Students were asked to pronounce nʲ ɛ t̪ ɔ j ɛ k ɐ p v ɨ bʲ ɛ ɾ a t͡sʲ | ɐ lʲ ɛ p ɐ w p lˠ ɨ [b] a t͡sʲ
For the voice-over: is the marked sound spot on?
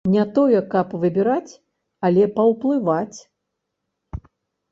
no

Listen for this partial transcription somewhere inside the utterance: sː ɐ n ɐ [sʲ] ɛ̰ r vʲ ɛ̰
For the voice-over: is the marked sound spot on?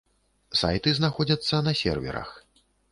yes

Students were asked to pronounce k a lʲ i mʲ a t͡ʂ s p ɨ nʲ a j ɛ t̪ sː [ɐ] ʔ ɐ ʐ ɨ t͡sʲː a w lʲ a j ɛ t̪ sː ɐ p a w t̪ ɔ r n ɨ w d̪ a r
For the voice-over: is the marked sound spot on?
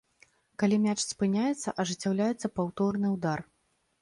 yes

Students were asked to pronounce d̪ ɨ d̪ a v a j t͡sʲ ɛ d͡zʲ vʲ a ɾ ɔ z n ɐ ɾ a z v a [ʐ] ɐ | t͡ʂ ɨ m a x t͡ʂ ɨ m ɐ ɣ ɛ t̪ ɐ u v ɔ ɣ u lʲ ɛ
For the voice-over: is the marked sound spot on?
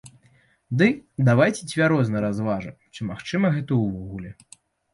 yes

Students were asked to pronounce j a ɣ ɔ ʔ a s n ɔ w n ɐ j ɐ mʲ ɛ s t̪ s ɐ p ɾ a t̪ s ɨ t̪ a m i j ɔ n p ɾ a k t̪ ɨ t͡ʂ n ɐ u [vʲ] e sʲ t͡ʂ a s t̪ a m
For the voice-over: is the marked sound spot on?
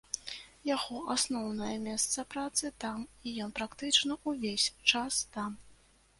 yes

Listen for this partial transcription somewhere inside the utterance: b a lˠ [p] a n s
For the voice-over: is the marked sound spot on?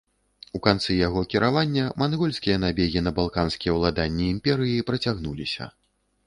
no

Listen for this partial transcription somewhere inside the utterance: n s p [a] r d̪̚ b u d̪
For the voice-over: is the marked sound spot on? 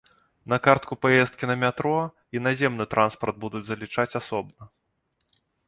no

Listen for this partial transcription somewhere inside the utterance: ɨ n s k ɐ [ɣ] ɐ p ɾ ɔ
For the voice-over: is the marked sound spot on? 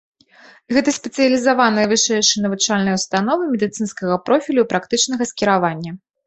yes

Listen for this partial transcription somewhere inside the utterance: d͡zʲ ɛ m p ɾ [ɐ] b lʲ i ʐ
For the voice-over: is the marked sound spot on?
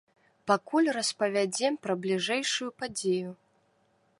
yes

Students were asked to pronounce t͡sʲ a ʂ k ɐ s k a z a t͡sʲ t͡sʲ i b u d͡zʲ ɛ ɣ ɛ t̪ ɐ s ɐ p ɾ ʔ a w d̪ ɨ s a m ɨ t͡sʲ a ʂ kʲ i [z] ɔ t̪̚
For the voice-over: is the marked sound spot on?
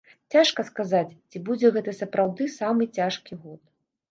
no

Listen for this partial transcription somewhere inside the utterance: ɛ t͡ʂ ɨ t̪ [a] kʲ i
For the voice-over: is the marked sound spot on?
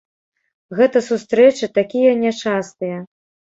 yes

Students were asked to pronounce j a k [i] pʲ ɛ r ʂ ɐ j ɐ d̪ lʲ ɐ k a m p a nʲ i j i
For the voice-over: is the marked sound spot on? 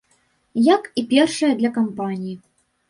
yes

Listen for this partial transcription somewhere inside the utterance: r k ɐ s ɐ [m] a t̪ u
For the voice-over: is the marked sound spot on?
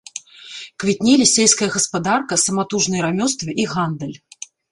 yes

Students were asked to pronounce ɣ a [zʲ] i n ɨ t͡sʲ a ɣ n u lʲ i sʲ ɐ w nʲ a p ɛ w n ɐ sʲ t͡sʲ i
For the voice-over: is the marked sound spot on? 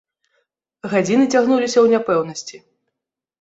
no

